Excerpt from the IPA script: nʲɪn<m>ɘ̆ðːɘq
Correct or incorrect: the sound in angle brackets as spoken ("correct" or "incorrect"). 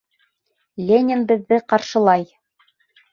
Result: incorrect